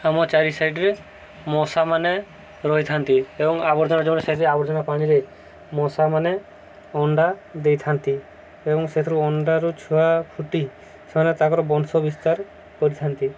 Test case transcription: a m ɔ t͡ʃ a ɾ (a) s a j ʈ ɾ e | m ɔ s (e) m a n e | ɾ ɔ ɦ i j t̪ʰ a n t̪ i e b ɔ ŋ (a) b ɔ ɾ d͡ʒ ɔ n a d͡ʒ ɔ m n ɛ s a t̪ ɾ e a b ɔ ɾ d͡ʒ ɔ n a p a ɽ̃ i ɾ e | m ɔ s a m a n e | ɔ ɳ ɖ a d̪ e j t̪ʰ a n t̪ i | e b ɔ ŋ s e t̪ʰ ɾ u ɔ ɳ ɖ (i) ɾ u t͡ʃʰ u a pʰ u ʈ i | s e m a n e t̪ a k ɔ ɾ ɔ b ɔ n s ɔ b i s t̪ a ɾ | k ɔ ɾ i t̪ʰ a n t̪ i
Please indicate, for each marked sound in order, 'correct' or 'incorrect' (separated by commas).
incorrect, incorrect, correct, incorrect